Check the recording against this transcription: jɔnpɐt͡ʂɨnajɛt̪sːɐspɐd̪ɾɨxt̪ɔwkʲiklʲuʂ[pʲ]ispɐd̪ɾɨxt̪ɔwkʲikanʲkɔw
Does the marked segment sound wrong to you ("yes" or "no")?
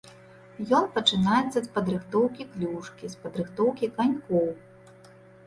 yes